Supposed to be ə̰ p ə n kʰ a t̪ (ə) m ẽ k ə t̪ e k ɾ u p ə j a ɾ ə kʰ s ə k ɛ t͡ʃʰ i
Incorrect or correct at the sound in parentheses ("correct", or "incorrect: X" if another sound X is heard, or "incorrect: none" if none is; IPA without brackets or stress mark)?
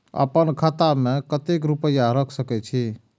incorrect: a